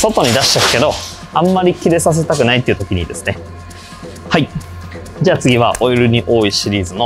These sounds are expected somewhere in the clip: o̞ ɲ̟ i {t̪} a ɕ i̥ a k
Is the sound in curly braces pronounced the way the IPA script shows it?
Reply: no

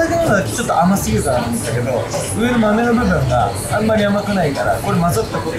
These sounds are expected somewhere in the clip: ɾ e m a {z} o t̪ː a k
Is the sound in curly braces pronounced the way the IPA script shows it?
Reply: yes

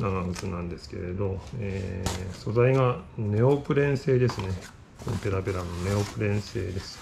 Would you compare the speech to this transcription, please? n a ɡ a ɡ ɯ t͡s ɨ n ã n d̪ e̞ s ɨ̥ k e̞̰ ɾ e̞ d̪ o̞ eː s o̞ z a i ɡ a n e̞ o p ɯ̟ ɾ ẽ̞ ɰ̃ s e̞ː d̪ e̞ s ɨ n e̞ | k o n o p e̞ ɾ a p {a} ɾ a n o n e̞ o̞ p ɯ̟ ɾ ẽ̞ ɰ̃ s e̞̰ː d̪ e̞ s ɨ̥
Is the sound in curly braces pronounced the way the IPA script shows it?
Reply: no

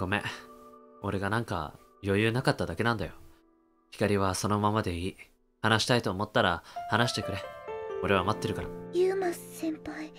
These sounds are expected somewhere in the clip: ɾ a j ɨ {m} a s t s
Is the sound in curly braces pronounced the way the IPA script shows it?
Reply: yes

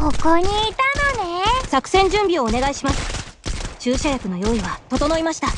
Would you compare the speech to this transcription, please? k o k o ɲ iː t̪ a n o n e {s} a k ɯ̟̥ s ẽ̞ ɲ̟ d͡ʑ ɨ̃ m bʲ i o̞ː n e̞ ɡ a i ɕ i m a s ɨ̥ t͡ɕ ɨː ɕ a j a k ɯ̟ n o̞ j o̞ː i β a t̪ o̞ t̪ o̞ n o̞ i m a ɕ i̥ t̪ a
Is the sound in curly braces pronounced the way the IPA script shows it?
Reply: yes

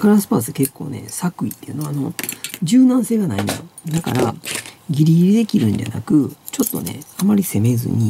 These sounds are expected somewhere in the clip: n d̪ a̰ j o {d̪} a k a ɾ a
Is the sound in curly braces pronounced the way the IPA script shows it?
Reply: yes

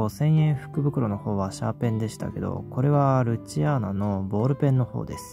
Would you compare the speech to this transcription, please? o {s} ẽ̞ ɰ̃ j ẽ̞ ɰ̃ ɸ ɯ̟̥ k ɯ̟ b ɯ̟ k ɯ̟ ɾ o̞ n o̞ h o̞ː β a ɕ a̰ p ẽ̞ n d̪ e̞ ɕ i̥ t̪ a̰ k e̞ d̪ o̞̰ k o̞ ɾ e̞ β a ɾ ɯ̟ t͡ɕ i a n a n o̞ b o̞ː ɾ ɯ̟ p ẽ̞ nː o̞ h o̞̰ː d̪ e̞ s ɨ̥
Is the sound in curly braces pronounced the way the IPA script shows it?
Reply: yes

